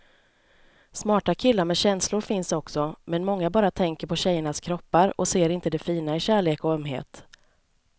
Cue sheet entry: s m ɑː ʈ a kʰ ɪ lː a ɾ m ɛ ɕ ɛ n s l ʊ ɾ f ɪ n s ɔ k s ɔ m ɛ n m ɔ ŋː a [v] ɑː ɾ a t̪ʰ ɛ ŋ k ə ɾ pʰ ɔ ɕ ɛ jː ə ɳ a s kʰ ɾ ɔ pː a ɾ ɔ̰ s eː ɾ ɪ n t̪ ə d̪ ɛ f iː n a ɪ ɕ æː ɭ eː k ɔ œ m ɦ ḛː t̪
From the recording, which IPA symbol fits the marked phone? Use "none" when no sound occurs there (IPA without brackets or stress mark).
b